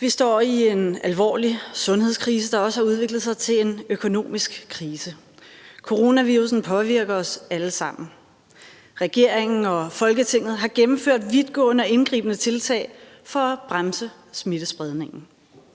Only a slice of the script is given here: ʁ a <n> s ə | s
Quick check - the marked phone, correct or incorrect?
incorrect